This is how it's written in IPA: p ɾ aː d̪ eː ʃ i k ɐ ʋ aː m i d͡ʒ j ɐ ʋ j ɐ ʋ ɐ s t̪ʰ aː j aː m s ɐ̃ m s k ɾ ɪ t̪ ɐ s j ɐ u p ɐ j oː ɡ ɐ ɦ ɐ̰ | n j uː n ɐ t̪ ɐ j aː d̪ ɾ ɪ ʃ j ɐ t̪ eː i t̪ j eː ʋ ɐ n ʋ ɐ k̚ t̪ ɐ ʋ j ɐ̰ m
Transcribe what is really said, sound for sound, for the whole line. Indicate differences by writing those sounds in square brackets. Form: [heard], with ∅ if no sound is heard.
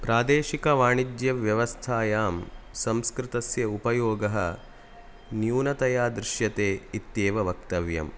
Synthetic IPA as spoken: p ɾ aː d̪ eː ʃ i k ɐ ʋ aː [ɳ] i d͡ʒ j ɐ ʋ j ɐ ʋ ɐ s t̪ʰ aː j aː m s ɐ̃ m s k ɾ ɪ t̪ ɐ s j ɐ u p ɐ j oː ɡ ɐ ɦ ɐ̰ | n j uː n ɐ t̪ ɐ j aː d̪ ɾ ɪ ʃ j ɐ t̪ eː i t̪ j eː ʋ ɐ [∅] ʋ ɐ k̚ t̪ ɐ ʋ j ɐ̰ m